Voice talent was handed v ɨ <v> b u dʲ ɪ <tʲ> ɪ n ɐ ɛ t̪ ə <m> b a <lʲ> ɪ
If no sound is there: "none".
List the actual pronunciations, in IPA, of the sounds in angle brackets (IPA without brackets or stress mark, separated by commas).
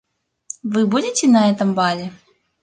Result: none, tʲ, m, lʲ